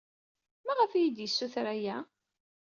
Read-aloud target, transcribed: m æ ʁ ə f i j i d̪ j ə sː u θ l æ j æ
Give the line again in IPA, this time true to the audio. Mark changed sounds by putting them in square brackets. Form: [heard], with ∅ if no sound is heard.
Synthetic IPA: m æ ʁ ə f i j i d̪ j ə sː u θ [ɾ] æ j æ